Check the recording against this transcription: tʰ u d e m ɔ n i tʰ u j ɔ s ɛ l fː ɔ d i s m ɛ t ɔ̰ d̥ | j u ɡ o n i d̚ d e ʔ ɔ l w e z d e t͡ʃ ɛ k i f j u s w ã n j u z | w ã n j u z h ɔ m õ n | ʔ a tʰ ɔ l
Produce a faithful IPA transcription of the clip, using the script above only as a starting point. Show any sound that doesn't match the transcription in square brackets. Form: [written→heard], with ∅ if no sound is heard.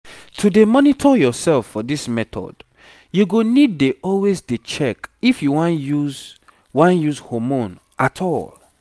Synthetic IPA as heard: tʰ u d e m ɔ n i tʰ [u→ɔ] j ɔ s ɛ l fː ɔ d i s m ɛ t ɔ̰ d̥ | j u ɡ o n i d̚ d e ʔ ɔ l w e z d e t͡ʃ ɛ k i f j u [s→∅] w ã n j u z | w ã n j u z h ɔ m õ n | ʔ a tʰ ɔ l